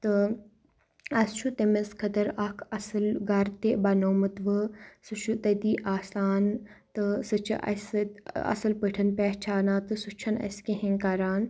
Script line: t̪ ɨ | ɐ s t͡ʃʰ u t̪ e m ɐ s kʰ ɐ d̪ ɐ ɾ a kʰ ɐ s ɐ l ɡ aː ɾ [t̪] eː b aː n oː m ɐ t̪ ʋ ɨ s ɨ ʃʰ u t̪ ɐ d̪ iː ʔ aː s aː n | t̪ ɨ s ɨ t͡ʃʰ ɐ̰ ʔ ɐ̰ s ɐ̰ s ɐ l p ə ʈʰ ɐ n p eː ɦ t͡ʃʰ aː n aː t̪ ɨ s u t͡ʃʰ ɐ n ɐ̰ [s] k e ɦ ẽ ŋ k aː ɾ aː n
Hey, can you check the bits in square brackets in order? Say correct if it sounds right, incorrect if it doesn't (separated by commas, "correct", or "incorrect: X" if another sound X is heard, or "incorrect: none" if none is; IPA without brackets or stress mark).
correct, correct